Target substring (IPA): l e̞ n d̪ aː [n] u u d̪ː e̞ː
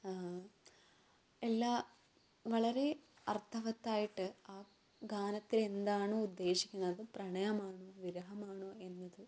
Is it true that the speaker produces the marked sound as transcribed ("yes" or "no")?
no